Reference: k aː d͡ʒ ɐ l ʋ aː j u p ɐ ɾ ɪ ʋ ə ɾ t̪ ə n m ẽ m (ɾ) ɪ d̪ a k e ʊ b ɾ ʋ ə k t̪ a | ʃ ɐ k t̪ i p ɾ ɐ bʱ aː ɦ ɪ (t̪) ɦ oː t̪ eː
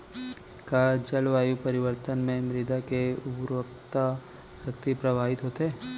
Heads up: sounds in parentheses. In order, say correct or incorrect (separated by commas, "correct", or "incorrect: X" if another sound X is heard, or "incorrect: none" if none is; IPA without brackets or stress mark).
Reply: correct, correct